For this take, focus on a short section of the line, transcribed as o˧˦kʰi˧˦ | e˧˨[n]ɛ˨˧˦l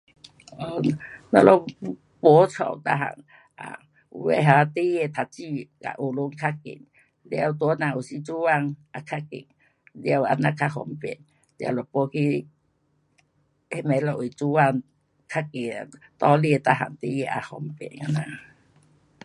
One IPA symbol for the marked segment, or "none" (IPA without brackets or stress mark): m